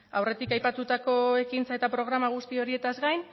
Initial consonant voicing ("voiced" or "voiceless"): voiced